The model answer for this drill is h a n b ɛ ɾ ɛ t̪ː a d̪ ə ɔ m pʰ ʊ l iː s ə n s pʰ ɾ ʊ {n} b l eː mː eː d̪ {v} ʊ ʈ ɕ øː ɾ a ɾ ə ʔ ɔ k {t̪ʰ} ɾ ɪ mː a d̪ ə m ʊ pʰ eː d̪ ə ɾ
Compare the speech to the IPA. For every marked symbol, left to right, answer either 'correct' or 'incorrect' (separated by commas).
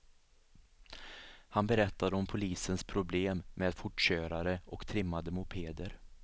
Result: incorrect, incorrect, correct